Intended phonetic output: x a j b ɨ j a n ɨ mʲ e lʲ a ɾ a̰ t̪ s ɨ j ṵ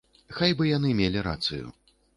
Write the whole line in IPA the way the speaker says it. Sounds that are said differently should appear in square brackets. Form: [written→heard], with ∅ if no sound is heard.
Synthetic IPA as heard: x a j b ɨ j a n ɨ mʲ e lʲ [a→i] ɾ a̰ t̪ s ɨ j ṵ

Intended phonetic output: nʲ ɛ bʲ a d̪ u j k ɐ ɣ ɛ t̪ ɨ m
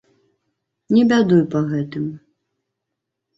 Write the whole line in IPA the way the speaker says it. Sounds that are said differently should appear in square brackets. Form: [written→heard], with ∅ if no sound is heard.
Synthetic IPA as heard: nʲ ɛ bʲ a d̪ u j [k→p] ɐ ɣ ɛ t̪ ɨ m

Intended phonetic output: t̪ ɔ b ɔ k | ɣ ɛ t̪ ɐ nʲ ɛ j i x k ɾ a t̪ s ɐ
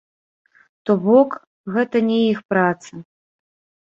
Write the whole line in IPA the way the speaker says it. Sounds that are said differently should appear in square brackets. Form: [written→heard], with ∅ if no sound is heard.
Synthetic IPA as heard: t̪ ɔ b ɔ k | ɣ ɛ t̪ ɐ nʲ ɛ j i x [k→p] ɾ a t̪ s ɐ

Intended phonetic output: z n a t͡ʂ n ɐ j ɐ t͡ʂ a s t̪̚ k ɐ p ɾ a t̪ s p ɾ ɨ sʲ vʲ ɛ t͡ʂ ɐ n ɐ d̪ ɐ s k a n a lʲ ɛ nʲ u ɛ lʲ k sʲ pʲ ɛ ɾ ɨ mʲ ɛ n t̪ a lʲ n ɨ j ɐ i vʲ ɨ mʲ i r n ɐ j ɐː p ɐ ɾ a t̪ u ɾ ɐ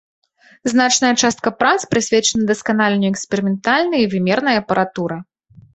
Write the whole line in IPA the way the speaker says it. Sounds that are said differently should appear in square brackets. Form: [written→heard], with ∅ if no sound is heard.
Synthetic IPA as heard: z n a t͡ʂ n ɐ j ɐ t͡ʂ a s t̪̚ k ɐ p ɾ a t̪ s p ɾ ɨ sʲ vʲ ɛ t͡ʂ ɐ n ɐ d̪ ɐ s k a n a lʲ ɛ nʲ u ɛ [lʲ→∅] k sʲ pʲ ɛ ɾ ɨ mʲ ɛ n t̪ a lʲ n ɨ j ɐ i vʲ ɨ mʲ [i→ɛ] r n ɐ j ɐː p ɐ ɾ a t̪ u ɾ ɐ

